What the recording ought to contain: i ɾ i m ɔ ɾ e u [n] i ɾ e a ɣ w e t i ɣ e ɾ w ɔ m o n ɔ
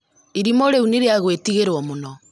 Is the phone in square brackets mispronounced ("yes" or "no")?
no